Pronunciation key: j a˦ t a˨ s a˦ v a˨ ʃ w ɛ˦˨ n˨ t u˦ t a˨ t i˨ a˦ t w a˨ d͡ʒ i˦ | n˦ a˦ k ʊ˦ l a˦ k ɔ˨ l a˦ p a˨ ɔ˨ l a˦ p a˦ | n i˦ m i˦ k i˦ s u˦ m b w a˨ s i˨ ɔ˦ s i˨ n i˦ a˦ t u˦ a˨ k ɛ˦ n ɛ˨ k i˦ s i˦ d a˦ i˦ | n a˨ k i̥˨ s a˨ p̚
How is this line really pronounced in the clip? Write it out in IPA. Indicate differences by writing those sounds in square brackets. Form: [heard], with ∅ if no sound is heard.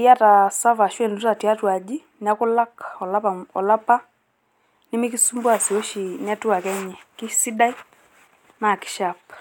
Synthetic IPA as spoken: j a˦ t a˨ s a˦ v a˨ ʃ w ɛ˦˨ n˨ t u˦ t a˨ t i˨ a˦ t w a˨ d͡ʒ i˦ | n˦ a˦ k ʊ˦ l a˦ k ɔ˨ l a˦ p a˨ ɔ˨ l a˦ p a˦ | n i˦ m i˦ k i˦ s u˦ m b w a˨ s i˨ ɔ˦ [ʃ] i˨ n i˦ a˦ t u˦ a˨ k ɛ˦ [ɲ] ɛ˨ k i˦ s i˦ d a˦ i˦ | n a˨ k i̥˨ [ʃ] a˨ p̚